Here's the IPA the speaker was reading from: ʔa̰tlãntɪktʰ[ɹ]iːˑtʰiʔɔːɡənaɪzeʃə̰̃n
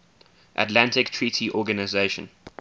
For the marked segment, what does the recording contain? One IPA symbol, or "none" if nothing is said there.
ɹ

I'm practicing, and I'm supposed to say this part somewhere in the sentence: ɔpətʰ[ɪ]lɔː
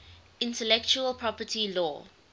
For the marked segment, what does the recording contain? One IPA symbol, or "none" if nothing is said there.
i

